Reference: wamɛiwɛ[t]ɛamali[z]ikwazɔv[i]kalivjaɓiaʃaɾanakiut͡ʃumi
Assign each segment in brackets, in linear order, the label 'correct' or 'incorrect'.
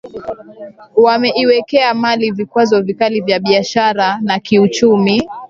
incorrect, incorrect, correct

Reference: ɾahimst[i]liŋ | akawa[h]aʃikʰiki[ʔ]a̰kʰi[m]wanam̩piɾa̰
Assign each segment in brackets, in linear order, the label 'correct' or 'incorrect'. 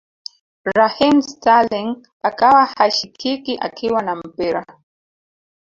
incorrect, correct, correct, incorrect

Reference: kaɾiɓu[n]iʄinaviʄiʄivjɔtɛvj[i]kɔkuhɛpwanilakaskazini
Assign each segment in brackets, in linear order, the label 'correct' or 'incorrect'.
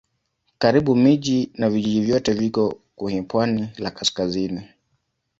incorrect, correct

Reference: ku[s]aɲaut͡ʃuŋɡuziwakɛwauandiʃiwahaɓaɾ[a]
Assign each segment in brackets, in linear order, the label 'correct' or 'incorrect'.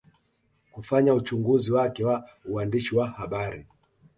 incorrect, incorrect

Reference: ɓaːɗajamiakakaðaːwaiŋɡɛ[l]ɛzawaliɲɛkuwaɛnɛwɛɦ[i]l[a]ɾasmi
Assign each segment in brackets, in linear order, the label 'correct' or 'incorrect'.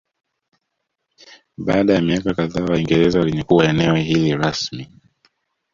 incorrect, correct, incorrect

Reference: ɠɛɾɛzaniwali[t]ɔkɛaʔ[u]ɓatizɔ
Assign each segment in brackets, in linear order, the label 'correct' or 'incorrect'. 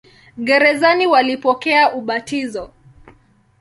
incorrect, correct

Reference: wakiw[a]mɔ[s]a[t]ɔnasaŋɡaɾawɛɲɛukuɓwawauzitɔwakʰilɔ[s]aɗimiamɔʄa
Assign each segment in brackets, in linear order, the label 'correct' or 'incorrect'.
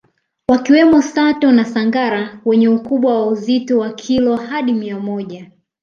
incorrect, correct, correct, incorrect

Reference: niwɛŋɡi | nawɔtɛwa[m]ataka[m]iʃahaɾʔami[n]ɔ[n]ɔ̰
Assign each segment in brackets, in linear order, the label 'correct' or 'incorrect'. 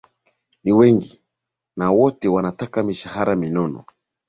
incorrect, correct, correct, correct

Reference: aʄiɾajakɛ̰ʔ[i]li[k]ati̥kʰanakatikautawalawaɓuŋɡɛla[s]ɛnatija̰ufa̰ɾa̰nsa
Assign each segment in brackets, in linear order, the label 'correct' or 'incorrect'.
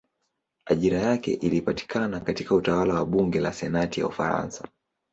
correct, incorrect, correct

